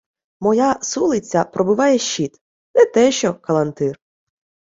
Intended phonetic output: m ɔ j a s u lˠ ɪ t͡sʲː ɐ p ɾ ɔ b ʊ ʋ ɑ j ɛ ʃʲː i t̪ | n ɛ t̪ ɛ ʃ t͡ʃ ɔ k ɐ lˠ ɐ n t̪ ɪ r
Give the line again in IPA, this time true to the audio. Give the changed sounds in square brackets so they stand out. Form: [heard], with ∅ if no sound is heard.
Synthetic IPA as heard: m ɔ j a s u lˠ ɪ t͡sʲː ɐ p ɾ ɔ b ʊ ʋ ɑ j ɛ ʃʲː i t̪ | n ɛ t̪ ɛ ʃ t͡ʃ ɔ k ɐ lˠ ɐ n t̪ ɪ r